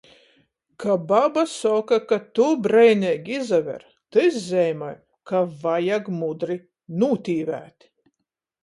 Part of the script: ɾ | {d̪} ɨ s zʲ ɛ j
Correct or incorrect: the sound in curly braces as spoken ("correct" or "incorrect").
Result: incorrect